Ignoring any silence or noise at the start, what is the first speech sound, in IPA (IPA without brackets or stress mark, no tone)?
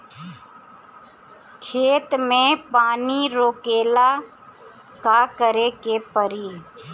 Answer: kʰ